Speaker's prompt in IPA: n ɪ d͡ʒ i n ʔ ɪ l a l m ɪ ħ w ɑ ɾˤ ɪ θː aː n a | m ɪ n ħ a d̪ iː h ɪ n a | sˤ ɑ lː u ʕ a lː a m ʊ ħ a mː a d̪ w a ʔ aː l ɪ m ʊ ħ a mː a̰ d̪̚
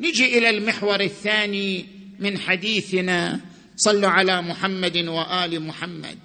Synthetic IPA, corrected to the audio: n ɪ d͡ʒ i ʔ ɪ l a l m ɪ ħ w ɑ ɾˤ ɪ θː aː n i | m ɪ n ħ a d̪ iː θ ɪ n a | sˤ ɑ lː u ʕ a l a m ʊ ħ a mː a d̪ w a ʔ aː l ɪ m ʊ ħ a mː a̰ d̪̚